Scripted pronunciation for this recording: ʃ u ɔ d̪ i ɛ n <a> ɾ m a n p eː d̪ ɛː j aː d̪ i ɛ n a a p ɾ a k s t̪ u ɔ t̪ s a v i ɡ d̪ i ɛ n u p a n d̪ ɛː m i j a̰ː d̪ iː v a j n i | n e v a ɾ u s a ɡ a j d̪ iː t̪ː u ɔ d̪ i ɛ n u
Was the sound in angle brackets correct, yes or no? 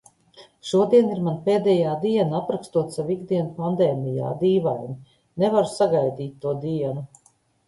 no